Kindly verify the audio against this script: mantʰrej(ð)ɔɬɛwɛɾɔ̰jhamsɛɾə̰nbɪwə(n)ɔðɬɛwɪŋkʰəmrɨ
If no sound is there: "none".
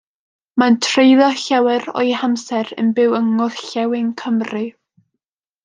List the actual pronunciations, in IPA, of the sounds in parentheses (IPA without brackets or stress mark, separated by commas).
ð, ŋ